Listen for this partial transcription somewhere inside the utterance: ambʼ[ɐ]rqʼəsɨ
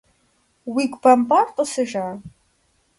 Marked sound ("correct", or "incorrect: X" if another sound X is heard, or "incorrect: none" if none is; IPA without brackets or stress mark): incorrect: a